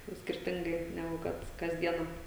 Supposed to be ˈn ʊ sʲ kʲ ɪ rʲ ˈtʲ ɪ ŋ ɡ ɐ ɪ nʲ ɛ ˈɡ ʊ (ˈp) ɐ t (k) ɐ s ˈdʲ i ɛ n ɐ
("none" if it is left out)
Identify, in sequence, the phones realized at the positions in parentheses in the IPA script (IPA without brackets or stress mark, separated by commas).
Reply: k, k